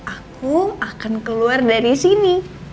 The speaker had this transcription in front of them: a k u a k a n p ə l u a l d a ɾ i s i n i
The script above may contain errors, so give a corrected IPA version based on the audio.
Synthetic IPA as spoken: a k u a k a n k ə l u a r d a ɾ i s i n i